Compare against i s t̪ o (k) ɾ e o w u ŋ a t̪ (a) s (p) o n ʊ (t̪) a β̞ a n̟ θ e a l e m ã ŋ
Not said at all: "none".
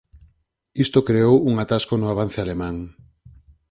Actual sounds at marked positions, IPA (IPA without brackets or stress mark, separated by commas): k, a, k, none